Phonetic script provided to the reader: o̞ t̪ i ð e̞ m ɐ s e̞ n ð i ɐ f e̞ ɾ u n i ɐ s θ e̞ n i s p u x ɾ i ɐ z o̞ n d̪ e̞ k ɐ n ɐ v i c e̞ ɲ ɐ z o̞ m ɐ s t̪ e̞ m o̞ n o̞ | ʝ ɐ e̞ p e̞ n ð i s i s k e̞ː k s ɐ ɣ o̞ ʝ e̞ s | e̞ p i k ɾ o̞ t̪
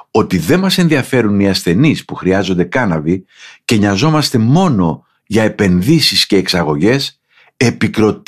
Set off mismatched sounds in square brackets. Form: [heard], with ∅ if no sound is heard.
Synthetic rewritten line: o̞ t̪ i ð e̞ m ɐ s e̞ n ð i ɐ f e̞ ɾ u n i ɐ s θ e̞ n i s p u x ɾ i ɐ z o̞ n d̪ e̞ k ɐ n ɐ v i c e̞ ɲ ɐ z o̞ m ɐ s t̪ e̞ m o̞ n o̞ | ʝ ɐ e̞ p e̞ n ð i s i s [c] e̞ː k s ɐ ɣ o̞ ʝ e̞ s | e̞ p i k ɾ o̞ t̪